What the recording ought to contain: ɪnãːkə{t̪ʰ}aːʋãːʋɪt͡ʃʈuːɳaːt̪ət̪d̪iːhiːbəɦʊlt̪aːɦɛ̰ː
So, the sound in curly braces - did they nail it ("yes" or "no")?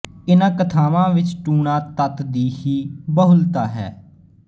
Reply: yes